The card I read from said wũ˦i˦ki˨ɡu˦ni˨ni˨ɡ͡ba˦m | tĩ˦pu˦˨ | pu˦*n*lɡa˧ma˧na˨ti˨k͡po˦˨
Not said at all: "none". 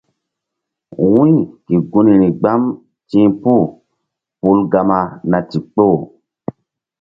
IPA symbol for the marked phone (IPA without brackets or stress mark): none